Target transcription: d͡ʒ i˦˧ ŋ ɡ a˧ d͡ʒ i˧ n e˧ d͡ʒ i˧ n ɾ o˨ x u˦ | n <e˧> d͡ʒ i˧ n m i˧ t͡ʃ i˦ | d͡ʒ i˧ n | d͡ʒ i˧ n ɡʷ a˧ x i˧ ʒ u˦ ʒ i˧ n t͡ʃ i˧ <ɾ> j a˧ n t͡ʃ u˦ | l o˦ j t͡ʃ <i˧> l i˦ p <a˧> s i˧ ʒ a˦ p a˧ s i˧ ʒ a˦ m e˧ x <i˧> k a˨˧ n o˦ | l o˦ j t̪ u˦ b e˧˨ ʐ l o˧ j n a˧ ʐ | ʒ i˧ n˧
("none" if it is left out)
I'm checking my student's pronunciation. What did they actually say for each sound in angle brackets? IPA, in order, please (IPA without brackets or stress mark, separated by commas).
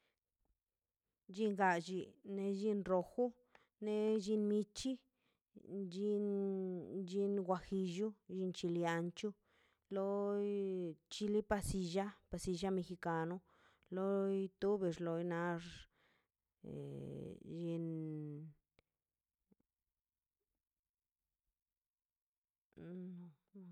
e˧, l, i˧, a˧, i˧